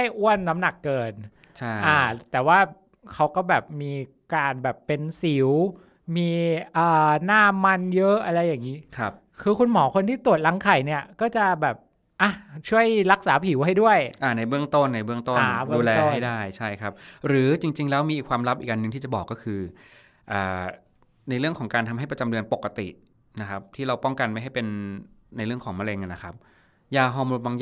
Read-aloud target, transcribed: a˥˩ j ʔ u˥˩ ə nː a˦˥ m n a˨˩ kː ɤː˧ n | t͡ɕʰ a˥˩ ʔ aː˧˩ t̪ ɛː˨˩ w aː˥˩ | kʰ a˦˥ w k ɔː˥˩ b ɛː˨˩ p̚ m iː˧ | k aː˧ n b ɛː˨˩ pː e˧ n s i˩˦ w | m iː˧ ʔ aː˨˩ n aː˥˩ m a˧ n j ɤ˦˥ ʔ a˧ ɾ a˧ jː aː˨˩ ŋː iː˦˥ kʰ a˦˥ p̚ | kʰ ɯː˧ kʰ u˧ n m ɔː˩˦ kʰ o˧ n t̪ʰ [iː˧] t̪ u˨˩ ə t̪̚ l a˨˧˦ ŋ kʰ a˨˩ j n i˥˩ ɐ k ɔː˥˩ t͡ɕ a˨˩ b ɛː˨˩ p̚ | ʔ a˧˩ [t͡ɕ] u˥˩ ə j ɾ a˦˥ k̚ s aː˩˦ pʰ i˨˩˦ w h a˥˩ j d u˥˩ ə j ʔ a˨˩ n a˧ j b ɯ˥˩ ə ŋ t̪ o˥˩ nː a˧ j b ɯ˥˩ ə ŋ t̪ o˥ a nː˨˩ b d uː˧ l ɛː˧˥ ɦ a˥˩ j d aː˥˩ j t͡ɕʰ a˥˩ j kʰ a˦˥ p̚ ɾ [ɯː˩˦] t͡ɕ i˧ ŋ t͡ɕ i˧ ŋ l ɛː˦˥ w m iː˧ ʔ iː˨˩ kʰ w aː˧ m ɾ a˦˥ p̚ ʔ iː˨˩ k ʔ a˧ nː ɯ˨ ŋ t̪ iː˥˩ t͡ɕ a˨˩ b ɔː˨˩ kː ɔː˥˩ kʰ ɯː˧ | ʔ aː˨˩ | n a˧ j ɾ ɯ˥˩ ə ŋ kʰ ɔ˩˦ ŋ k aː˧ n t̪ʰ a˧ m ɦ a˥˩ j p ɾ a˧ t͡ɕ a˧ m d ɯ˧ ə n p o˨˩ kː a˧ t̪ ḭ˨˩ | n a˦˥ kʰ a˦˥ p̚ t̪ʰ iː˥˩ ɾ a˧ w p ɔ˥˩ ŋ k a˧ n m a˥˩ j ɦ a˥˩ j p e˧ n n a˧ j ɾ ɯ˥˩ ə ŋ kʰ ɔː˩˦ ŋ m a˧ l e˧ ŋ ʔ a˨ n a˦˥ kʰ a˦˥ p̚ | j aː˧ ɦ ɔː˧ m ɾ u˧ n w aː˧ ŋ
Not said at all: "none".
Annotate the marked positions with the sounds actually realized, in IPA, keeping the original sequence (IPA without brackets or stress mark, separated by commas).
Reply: iː˥˩, t͡ɕʰ, ɯː˩˦